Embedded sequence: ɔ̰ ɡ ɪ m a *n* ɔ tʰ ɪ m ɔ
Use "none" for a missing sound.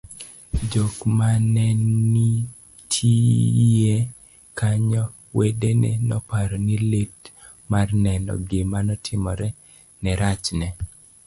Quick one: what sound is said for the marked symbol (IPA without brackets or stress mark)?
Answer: n